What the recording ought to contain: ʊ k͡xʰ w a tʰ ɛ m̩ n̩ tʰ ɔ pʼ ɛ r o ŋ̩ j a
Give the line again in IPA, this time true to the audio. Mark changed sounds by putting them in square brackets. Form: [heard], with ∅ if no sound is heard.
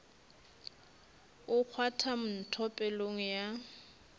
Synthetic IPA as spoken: ʊ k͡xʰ w a tʰ [a] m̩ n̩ tʰ ɔ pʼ ɛ [l] o ŋ̩ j a